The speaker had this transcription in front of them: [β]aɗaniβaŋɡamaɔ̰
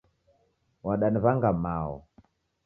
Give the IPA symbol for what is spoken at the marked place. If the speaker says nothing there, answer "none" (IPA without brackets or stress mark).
w